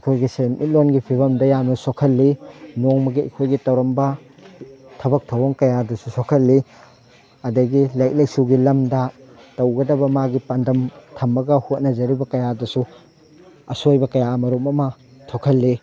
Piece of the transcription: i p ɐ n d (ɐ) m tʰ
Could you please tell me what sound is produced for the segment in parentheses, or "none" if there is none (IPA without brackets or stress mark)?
ɐ